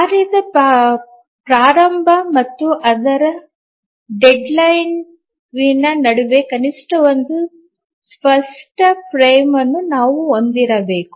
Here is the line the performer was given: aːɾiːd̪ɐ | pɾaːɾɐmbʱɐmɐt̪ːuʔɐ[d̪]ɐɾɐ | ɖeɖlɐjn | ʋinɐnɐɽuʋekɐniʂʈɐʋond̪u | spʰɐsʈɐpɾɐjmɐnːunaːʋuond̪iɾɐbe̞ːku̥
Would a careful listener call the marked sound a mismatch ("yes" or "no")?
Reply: no